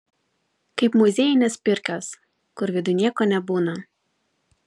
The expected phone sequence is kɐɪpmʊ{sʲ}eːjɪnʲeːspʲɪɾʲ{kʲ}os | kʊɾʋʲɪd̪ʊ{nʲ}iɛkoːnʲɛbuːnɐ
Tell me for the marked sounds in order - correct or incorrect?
incorrect, correct, correct

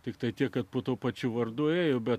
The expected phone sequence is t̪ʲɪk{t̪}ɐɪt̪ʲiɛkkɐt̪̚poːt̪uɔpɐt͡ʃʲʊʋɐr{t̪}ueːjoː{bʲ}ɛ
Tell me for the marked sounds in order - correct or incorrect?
correct, incorrect, correct

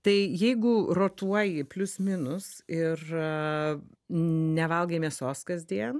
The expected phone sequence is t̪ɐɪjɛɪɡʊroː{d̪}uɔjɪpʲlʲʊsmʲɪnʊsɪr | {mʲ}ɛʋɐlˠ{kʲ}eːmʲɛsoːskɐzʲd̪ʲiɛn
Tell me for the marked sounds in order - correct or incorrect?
incorrect, incorrect, incorrect

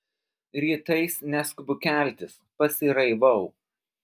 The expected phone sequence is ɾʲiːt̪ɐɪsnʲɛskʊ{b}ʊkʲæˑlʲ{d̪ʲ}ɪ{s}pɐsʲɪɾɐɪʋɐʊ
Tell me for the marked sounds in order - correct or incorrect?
correct, incorrect, correct

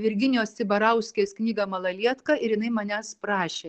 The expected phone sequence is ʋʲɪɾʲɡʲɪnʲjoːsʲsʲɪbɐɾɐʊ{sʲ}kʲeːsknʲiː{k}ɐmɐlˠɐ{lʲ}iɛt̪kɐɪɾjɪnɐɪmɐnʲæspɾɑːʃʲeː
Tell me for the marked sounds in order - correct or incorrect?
correct, incorrect, correct

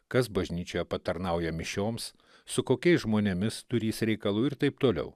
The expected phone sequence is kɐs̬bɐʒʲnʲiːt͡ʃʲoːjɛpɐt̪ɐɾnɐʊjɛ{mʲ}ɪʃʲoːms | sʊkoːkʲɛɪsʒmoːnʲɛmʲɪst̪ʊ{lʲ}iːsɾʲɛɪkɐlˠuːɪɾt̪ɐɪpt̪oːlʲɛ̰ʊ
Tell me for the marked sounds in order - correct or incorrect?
correct, incorrect

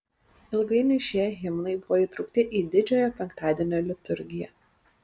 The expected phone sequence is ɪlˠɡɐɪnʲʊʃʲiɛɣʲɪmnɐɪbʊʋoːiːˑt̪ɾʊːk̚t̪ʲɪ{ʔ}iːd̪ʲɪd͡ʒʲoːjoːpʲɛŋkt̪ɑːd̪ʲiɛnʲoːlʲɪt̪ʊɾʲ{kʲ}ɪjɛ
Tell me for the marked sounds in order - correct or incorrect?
correct, incorrect

